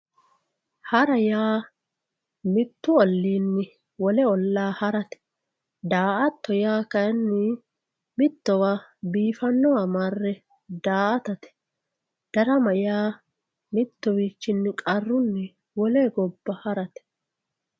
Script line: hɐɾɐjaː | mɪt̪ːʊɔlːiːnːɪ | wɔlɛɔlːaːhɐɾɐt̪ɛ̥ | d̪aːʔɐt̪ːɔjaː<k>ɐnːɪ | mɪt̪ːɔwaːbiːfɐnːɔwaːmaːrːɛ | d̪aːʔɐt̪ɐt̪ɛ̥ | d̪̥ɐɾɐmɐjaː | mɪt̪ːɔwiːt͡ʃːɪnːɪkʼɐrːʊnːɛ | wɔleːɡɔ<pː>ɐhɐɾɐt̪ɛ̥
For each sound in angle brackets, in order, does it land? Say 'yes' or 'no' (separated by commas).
yes, no